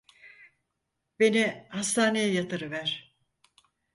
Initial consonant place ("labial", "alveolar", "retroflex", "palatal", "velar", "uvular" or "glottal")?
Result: labial